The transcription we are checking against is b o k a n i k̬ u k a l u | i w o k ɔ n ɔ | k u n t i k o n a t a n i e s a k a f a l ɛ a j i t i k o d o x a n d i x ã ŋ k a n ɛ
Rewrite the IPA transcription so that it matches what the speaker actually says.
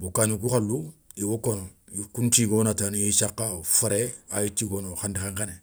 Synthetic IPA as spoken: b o k a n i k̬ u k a l u | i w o k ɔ n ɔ | k u n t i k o n a t a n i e s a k a f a ɾ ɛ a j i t i k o n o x a n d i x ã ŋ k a n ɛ